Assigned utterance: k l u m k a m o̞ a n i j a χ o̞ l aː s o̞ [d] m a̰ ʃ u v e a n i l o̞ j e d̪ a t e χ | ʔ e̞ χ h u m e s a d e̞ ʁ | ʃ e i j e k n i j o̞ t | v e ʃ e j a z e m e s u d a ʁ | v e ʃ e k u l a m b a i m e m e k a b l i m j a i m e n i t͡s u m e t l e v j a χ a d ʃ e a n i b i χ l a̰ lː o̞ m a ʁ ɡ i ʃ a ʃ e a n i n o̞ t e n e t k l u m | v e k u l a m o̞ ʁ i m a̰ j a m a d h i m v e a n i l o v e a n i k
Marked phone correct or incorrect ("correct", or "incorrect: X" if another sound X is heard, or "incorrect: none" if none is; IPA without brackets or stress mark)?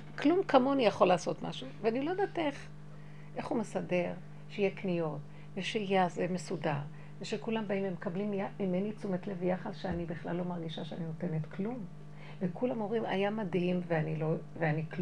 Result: incorrect: t